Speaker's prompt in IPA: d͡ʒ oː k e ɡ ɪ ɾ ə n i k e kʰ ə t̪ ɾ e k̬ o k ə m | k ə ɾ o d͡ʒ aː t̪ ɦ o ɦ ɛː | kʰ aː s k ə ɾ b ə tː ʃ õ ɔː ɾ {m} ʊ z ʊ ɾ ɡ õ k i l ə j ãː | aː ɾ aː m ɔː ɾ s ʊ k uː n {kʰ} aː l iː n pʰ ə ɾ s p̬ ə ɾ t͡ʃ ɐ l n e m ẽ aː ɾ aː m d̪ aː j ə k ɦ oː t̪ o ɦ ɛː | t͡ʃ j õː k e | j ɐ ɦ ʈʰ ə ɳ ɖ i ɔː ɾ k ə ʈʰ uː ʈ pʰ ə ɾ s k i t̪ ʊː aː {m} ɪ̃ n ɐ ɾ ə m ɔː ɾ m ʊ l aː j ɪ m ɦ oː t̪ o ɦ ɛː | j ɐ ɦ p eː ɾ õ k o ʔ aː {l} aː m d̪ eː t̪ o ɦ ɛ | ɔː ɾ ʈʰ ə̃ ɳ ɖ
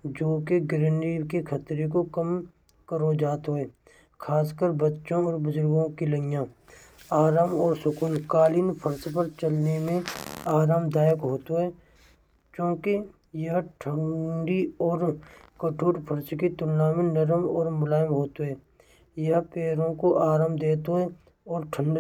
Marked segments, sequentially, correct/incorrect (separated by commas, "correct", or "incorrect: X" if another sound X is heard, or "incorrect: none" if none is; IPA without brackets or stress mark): incorrect: b, incorrect: k, correct, incorrect: ɾ